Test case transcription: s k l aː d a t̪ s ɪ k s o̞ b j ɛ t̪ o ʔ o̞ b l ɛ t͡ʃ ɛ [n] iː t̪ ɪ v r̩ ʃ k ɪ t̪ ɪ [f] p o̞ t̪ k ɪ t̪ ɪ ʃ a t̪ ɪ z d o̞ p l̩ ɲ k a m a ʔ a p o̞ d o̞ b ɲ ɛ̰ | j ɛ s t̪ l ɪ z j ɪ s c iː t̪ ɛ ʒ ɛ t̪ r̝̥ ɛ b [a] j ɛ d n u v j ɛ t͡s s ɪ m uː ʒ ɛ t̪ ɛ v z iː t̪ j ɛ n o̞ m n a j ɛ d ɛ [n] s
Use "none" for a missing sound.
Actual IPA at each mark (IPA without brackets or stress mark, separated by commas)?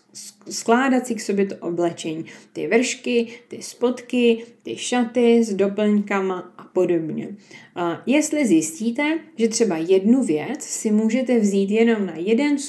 ɲ, s, a, n